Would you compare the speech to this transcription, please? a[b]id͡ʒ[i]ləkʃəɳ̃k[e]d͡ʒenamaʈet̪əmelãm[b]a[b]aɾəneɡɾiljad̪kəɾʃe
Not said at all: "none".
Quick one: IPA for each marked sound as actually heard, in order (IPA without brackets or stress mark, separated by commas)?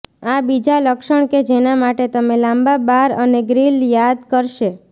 b, a, e, b, b